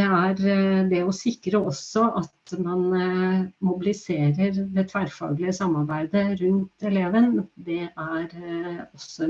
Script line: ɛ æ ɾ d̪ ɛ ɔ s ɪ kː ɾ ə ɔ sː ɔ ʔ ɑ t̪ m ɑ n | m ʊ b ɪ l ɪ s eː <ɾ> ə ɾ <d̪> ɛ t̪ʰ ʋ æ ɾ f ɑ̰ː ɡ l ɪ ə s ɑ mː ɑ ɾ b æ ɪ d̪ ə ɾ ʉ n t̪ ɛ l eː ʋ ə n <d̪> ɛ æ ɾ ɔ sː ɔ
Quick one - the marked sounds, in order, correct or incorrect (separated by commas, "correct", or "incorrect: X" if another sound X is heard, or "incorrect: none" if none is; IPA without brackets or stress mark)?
correct, correct, correct